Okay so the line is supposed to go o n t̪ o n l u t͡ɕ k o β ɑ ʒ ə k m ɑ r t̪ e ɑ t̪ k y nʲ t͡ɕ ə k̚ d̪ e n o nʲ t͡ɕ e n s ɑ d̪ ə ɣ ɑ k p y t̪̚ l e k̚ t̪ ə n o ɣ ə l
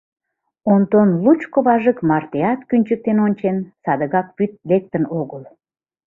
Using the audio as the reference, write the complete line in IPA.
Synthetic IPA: o n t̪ o n l u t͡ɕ k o β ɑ ʒ ə k m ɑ r t̪ e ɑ t̪ k y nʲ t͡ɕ ə k̚ t̪ e n o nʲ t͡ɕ e n s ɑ d̪ ə ɣ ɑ k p y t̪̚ l e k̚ t̪ ə n o ɣ ə l